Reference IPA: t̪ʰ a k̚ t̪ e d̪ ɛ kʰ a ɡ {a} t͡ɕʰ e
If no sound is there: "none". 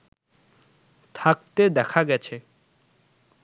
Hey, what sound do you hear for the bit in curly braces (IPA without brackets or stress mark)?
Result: ɛ